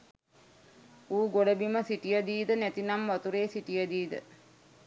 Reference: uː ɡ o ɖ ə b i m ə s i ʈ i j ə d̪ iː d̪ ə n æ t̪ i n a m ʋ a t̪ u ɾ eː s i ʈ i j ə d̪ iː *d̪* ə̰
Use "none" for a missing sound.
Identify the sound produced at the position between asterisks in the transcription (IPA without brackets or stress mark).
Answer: d̪